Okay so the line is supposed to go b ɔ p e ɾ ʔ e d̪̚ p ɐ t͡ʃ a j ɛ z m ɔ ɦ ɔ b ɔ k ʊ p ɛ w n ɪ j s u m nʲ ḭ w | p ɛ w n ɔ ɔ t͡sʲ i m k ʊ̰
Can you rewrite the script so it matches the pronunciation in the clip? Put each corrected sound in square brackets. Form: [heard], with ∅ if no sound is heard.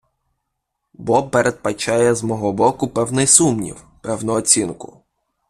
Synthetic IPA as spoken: b ɔ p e ɾ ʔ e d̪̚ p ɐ t͡ʃ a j ɛ z m ɔ ɦ ɔ b ɔ k ʊ p ɛ w n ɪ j s u m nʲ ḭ w | p ɛ w n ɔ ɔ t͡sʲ i [n] k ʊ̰